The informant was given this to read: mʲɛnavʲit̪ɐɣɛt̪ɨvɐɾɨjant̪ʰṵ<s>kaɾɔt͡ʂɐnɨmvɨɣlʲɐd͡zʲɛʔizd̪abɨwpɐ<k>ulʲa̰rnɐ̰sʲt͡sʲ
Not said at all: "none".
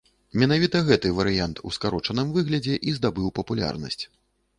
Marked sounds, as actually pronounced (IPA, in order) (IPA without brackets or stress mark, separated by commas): s, p